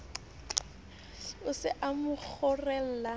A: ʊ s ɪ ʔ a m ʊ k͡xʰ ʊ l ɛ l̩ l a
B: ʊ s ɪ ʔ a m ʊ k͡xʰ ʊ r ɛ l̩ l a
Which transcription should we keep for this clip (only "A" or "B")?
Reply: B